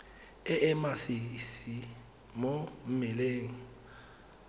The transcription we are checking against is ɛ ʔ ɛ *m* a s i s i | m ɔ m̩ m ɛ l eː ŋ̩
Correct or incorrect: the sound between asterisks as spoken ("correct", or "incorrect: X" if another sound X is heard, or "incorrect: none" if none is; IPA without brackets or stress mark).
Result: correct